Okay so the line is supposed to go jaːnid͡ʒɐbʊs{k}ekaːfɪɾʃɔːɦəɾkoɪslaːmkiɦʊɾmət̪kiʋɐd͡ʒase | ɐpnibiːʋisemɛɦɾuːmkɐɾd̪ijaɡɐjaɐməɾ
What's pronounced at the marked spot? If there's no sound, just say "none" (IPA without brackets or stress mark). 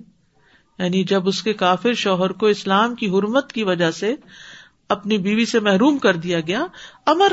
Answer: k